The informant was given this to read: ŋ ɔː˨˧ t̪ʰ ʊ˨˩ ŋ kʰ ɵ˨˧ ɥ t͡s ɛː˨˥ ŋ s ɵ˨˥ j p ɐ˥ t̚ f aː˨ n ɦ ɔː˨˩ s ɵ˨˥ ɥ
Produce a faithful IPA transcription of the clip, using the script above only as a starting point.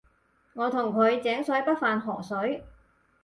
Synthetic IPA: ŋ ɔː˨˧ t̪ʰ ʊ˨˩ ŋ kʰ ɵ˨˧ ɥ t͡s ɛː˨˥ ŋ s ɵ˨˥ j p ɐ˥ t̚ f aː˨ n ɦ ɔː˨˩ s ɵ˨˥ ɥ